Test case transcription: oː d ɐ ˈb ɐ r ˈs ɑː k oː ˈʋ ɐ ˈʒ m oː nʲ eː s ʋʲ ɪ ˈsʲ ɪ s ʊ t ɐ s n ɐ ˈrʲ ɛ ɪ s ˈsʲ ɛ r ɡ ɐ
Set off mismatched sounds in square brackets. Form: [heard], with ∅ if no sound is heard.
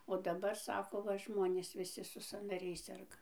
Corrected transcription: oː d ɐ ˈb ɐ r ˈs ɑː k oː ˈʋ ɐ ˈʒ m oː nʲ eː s ʋʲ ɪ ˈsʲ ɪ s ʊ [s] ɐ [∅] n ɐ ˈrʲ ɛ ɪ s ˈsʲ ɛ r ɡ ɐ